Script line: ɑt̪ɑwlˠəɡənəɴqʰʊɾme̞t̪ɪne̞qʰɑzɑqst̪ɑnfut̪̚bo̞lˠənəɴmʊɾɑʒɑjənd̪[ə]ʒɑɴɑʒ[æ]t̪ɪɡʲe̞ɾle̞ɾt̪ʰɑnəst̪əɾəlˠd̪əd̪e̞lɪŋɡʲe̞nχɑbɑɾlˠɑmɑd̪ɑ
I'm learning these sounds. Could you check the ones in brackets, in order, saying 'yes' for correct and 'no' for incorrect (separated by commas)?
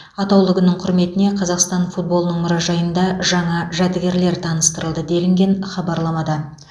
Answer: no, yes